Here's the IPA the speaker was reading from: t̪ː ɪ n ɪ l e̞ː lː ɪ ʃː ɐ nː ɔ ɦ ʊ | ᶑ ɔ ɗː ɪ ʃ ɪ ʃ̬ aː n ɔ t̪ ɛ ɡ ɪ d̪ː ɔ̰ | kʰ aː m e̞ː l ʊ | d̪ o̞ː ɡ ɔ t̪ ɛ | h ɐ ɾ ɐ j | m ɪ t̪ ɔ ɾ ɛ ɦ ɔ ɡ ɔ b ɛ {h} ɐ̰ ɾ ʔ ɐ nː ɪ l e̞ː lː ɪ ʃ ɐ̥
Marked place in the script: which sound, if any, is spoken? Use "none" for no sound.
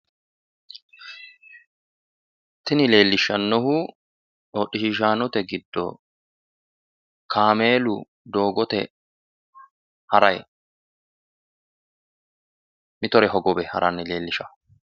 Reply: h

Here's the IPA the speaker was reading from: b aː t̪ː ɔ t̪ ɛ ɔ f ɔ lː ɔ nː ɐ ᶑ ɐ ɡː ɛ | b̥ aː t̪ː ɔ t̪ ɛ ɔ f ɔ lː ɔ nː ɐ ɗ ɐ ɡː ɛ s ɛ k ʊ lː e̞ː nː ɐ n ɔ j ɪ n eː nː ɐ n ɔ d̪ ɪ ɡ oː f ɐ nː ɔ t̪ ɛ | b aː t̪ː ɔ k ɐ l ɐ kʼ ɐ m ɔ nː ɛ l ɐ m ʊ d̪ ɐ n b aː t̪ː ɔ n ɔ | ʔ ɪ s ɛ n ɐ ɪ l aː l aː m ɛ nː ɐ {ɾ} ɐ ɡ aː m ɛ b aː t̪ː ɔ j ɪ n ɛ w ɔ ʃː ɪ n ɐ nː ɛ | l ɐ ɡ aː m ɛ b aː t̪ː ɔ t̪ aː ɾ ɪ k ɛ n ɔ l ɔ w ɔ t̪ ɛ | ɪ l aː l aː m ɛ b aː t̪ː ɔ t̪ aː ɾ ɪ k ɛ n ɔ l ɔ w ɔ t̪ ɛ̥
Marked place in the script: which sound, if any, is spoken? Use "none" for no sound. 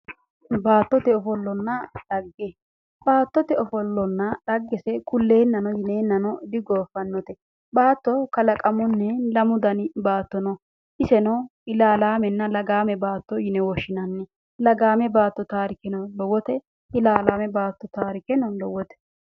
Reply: l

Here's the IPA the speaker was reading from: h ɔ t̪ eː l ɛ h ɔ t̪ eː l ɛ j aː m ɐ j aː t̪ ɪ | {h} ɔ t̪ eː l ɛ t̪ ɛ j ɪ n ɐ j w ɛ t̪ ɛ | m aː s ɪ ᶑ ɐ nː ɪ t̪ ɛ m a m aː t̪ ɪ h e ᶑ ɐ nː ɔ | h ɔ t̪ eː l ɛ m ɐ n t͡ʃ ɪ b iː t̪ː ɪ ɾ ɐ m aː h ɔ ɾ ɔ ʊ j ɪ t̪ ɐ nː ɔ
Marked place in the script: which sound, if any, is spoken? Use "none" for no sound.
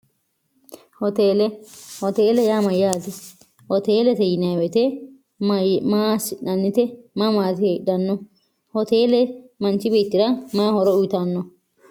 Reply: h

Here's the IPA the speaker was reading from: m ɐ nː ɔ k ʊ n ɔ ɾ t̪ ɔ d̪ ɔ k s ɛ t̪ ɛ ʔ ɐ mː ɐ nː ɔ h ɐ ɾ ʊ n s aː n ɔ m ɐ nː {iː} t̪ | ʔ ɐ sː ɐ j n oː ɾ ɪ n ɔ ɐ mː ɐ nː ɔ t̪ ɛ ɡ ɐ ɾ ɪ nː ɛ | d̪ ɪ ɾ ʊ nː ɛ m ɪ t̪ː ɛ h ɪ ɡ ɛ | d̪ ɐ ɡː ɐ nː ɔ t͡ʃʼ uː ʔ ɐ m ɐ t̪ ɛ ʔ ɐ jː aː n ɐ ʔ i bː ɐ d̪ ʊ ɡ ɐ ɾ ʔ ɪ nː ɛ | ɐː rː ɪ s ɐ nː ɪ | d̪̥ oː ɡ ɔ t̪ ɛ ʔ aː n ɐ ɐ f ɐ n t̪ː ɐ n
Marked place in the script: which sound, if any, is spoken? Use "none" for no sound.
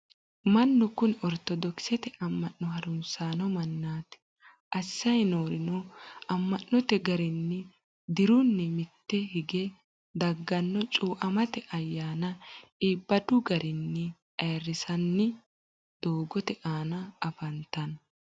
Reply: aː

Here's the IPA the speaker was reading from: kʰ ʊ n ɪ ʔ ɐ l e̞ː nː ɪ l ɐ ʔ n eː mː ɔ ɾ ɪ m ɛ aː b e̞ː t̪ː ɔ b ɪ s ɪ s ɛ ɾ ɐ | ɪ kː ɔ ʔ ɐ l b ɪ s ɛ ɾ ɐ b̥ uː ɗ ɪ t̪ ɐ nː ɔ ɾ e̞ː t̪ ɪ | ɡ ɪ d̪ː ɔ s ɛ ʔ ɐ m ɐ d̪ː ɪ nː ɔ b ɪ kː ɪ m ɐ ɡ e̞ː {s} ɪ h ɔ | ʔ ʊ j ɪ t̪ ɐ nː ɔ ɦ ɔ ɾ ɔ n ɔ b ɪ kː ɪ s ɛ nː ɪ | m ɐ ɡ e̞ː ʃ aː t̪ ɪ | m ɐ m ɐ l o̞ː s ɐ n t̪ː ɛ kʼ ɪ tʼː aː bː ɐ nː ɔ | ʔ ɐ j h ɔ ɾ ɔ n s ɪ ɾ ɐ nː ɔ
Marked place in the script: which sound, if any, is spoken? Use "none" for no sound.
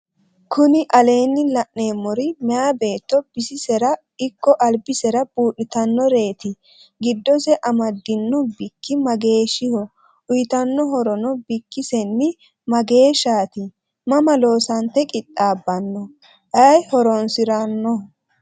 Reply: ʃ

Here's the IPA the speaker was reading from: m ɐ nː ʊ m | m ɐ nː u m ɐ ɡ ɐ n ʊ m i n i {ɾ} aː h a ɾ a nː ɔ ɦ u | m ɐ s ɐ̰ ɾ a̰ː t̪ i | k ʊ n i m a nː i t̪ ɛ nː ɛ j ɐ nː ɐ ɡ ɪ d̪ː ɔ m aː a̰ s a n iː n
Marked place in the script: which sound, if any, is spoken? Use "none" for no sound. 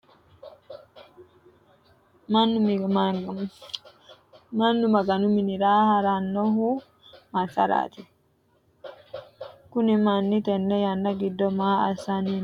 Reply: ɾ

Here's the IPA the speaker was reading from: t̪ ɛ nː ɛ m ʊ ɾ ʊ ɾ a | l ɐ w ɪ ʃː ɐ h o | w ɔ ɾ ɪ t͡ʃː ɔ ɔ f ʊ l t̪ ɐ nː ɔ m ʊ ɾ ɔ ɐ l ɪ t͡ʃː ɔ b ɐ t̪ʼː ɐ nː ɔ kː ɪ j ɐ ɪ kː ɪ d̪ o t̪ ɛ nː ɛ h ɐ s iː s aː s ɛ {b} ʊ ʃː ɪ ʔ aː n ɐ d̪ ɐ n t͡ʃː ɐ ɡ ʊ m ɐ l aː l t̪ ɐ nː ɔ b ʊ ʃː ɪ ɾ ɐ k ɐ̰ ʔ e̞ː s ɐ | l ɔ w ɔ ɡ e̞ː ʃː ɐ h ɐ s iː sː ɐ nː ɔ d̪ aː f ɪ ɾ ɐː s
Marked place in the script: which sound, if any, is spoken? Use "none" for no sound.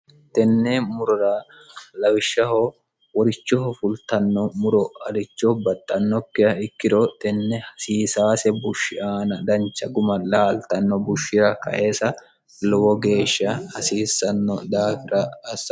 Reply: b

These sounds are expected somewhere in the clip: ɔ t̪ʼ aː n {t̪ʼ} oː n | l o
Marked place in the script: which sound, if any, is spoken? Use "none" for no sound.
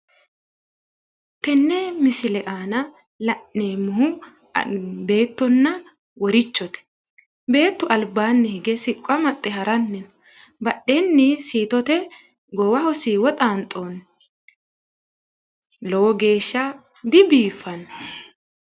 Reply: t̪ʼ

